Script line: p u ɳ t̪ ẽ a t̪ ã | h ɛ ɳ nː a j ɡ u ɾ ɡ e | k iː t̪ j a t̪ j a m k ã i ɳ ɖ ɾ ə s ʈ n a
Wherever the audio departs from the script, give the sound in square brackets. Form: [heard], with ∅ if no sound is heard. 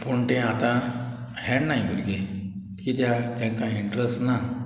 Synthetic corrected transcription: p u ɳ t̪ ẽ a t̪ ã | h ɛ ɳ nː a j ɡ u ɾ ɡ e | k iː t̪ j a t̪ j a [ŋ] k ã i ɳ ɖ ɾ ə s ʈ n a